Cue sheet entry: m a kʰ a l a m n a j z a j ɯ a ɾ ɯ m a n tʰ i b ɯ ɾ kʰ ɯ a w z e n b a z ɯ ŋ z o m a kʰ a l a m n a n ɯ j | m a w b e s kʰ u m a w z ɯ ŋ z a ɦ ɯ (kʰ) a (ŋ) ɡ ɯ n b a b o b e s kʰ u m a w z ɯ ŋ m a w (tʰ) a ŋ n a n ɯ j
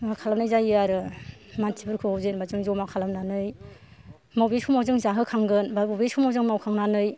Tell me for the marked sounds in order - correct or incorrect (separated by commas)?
correct, correct, incorrect